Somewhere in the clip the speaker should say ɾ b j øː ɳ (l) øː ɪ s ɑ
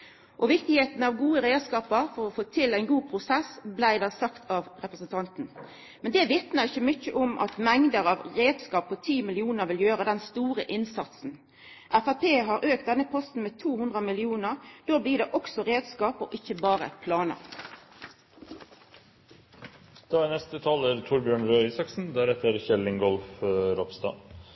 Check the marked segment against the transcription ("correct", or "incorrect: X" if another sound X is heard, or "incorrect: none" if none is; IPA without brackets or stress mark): incorrect: ɾ